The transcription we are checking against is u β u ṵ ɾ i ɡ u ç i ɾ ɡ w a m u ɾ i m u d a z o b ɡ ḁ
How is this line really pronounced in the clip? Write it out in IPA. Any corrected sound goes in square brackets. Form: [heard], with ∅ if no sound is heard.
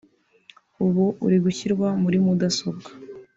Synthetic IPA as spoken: u β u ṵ ɾ i ɡ u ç i ɾ ɡ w a m u ɾ i m u d a [s] o b ɡ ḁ

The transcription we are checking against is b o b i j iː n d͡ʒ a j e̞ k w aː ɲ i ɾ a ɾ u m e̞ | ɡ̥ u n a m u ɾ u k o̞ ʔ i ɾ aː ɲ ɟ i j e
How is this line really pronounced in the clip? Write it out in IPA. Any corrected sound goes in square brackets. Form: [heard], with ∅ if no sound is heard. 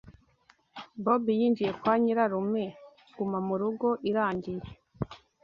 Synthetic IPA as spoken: b o b i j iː n d͡ʒ [i] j e̞ k w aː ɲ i ɾ a ɾ u m e̞ | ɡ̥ u [m] a m u ɾ u [ɡ] o̞ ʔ i ɾ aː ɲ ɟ i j e

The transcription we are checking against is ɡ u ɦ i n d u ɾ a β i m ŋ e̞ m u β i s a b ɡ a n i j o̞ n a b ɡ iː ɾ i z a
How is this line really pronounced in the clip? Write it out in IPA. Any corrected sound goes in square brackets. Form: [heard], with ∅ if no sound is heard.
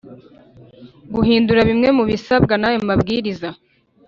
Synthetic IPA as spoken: ɡ u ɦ [iː] n d u ɾ a β i m ŋ e̞ m u β i s a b ɡ a n [a] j o̞ [m] a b ɡ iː ɾ i z a

